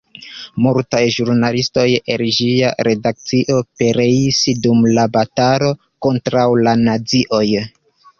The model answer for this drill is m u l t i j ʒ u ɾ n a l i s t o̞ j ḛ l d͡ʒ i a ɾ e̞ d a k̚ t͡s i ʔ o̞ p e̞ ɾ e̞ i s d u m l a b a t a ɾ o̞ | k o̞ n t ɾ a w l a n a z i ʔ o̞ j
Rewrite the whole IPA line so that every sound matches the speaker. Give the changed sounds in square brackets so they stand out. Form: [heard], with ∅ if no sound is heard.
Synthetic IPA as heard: m u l t [a] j ʒ u ɾ n a l i s t o̞ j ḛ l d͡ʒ i a ɾ e̞ d a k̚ t͡s i ʔ o̞ p e̞ ɾ e̞ i s d u m l a b a t a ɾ o̞ | k o̞ n t ɾ a w l a n a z i ʔ o̞ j